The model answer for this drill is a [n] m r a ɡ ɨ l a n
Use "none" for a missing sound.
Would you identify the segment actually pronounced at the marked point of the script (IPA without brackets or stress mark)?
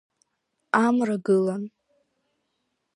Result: none